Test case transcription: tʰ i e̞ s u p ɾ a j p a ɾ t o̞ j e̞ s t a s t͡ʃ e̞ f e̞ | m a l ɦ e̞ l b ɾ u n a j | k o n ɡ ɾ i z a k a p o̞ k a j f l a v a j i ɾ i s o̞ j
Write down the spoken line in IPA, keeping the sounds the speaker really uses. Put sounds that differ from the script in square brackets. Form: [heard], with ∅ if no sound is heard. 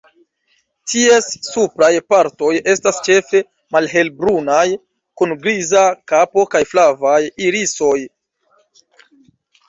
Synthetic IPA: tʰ i e̞ [sː] u p ɾ a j p a ɾ t o̞ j e̞ s t a s t͡ʃ e̞ f e̞ | m a l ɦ e̞ l b ɾ u n a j | k [u] n ɡ ɾ i z a k a p o̞ k a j f l a v a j i ɾ i s o̞ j